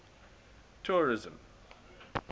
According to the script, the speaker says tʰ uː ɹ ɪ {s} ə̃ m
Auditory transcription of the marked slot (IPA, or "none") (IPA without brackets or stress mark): z